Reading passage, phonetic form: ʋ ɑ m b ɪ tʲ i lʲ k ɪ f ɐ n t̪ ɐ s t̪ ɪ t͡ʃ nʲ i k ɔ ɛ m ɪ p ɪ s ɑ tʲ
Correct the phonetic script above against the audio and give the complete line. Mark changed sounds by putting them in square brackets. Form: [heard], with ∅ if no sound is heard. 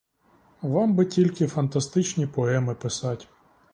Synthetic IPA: ʋ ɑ m b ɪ tʲ i lʲ k ɪ f ɐ n t̪ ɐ s t̪ ɪ t͡ʃ nʲ i [p] ɔ ɛ m ɪ p ɪ s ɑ tʲ